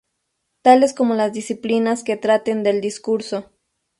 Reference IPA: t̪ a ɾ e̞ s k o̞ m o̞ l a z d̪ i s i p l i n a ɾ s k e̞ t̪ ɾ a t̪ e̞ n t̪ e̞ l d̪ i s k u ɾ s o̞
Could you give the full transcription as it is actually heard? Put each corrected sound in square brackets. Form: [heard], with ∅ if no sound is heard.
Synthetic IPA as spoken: t̪ a [l] e̞ s k o̞ m o̞ l a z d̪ i s i p l i n a [∅] s k e̞ t̪ ɾ a t̪ e̞ n [d̪] e̞ l d̪ i s k u ɾ s o̞